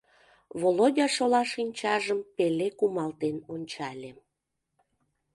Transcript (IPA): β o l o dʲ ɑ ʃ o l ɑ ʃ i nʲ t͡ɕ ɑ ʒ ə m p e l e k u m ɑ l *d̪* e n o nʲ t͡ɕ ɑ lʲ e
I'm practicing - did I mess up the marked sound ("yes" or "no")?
yes